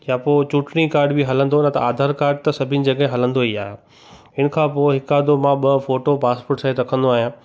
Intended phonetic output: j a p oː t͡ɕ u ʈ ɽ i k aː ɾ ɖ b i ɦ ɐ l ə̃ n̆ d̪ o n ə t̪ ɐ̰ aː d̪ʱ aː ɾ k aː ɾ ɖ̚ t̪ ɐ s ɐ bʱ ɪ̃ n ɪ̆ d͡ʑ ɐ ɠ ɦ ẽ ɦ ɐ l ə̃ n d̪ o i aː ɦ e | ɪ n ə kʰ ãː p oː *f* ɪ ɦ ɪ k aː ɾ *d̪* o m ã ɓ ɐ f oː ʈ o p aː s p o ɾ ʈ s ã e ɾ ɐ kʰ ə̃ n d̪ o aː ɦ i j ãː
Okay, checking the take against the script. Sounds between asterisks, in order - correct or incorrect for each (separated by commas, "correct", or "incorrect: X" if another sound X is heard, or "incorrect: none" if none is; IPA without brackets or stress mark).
incorrect: none, correct